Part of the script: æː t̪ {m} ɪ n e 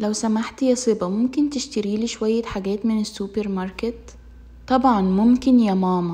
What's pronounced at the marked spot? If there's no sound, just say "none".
m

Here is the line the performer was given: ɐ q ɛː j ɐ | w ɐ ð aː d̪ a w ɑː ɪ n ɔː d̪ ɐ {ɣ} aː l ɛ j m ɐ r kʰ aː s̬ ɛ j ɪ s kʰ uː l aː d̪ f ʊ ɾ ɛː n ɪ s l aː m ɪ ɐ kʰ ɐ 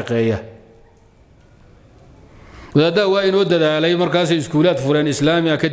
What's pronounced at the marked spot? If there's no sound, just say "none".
ð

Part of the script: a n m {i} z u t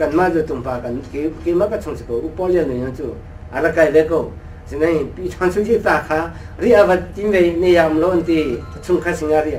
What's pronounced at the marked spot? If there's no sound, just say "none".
a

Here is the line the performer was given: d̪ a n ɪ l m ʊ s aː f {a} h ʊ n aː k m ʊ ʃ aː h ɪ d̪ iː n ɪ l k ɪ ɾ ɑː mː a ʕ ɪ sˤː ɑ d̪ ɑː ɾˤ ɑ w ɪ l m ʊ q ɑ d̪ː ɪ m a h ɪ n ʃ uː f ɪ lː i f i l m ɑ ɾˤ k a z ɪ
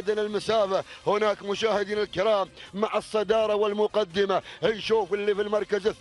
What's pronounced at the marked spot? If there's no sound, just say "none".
a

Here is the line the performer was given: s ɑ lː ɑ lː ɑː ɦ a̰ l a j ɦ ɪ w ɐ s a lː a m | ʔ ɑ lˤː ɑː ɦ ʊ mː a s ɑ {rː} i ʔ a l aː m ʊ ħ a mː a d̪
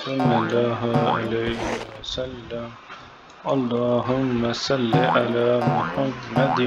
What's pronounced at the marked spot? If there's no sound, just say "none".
lː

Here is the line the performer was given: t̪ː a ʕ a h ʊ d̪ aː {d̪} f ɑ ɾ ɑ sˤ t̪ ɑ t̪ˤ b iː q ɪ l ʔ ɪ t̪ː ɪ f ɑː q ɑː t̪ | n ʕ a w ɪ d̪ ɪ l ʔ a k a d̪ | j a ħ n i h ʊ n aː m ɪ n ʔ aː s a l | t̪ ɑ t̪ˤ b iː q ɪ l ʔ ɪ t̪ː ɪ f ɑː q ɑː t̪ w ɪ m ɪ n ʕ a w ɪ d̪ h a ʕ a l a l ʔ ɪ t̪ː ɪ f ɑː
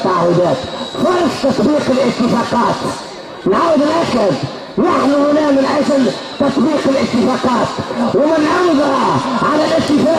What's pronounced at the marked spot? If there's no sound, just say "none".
t̪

